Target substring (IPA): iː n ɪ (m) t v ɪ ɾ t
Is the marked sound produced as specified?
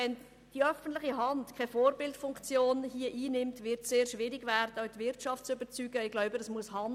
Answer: yes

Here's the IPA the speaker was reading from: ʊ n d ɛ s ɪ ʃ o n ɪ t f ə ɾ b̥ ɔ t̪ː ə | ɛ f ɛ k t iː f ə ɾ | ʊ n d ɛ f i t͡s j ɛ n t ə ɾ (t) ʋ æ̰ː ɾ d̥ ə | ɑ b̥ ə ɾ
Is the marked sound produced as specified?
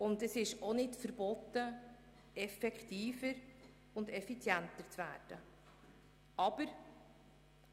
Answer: no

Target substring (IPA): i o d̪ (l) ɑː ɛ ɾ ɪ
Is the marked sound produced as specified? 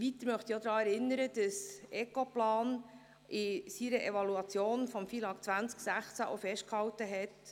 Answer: no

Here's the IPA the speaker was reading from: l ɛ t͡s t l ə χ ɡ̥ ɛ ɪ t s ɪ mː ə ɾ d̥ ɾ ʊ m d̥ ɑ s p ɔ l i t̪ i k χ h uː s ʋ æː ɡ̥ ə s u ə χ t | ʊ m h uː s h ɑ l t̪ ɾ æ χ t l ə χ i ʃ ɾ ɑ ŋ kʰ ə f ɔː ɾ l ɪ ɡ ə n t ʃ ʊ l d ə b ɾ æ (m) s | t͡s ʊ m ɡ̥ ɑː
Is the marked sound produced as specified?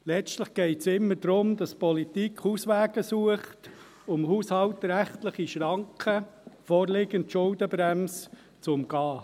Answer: yes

